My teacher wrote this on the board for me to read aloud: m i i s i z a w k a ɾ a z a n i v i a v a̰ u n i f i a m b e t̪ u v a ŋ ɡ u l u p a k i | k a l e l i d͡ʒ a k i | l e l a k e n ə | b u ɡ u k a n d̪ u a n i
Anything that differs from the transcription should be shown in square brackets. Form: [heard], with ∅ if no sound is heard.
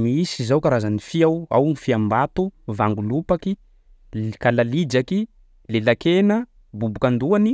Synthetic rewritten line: m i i s i z a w k a ɾ a z a n i [f] i a [w] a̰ [w] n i f i a m b [a] t̪ u v a ŋ ɡ u l u p a k i | k a l [a] l i d͡ʒ a k i | l e l a k e n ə | b u [b] u k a n d̪ u a n i

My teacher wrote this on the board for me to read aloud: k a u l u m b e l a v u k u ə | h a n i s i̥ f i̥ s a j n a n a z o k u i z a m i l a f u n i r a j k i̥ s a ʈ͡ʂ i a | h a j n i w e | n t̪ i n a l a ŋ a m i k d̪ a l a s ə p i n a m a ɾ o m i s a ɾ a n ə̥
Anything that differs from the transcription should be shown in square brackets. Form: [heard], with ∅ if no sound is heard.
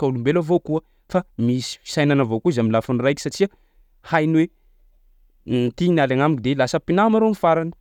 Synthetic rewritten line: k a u l u m b e l a v [o] k u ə | [f] a [m] i s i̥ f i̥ s a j n a n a [v] o k u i z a m i l a f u n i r a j k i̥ s a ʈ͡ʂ i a | h a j n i w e | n t̪ i n a l a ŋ a m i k d̪ [e] l a s ə p i n a m a ɾ o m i [f] a ɾ a n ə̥

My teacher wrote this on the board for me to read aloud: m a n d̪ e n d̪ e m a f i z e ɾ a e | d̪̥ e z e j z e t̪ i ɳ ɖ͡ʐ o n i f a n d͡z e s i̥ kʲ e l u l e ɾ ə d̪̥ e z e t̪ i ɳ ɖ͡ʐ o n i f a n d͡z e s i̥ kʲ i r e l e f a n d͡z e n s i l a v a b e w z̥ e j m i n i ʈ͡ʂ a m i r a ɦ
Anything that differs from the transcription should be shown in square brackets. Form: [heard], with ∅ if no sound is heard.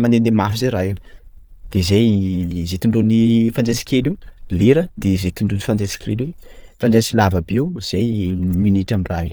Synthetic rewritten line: m a n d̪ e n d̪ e m a f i z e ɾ a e | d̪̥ e z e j z e t̪ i ɳ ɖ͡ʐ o n i f a n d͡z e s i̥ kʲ e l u l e ɾ ə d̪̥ e z e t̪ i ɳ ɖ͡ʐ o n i f a n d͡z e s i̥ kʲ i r e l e f a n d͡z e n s i l a v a b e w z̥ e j m i n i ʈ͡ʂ a m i r a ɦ

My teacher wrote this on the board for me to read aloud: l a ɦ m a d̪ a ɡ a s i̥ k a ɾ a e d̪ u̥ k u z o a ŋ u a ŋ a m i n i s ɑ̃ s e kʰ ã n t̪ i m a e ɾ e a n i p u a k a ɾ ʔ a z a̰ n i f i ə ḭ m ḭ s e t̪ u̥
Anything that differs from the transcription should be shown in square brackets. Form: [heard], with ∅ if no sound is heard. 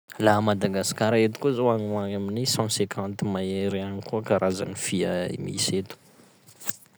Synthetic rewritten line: l a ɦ m a d̪ a ɡ a s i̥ k a ɾ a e [t̪] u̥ k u z o a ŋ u a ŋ a m i n i s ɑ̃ s e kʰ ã n t̪ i m a e ɾ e a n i [k] u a k a ɾ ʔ a z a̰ n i f i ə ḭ m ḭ s e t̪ u̥

